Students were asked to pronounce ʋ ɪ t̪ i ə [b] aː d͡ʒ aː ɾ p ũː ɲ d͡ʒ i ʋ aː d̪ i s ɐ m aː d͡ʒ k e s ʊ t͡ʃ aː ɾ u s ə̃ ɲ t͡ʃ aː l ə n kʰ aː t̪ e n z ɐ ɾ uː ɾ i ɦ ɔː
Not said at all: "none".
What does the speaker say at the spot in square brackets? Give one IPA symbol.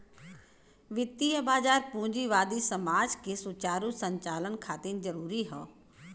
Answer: b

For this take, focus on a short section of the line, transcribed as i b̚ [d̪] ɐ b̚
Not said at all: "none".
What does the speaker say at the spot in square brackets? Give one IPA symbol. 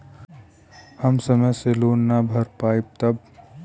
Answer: t̪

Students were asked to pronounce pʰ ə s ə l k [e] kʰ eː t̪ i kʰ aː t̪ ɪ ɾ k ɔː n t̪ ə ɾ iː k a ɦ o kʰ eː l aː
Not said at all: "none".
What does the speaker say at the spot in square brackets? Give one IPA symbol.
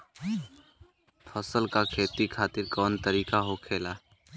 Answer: a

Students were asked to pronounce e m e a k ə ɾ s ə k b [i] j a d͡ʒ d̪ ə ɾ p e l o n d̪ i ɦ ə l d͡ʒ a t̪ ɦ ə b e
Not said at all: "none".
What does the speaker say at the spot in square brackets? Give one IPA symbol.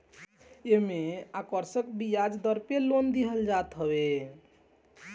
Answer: i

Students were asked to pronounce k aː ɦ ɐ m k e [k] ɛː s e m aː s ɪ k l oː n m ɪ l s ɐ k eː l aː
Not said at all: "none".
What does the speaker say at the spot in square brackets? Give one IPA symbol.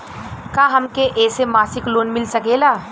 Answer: ʔ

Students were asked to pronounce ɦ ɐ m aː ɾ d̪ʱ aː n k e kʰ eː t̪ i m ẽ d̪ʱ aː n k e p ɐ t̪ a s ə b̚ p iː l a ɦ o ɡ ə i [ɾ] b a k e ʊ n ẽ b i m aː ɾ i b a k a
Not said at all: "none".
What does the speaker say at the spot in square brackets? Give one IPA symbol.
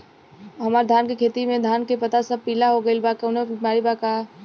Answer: l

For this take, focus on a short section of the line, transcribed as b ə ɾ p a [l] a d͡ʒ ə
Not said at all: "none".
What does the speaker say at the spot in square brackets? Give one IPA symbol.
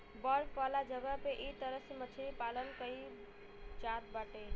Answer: l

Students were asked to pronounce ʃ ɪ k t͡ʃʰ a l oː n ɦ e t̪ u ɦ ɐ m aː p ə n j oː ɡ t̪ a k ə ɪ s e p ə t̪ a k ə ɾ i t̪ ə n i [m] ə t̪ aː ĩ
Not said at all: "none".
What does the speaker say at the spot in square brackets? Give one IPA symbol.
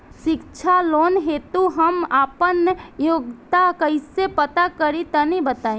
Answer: b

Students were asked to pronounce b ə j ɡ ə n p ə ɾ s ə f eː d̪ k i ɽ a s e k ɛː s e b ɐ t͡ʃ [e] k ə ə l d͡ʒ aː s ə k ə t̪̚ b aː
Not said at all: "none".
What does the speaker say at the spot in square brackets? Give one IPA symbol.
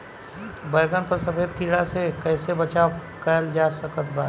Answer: a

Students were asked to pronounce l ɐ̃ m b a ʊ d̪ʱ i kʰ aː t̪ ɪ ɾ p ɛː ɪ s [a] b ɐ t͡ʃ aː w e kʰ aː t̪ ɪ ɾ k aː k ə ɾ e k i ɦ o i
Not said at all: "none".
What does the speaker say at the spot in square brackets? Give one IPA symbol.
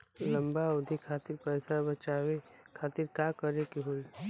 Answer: a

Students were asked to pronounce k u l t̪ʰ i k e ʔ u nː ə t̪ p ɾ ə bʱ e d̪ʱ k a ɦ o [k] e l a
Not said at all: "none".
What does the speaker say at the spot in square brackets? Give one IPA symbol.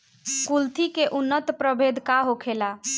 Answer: kʰ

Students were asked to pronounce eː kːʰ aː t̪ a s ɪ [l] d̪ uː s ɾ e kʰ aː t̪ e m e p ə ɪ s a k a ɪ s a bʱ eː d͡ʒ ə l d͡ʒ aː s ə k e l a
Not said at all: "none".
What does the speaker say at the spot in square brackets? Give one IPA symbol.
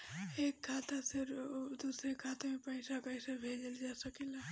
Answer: ɾ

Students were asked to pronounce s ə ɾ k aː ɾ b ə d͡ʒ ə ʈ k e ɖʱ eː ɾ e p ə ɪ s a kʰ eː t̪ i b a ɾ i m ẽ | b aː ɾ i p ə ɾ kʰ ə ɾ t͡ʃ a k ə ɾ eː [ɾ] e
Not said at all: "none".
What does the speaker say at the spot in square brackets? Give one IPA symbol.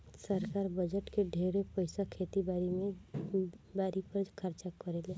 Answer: l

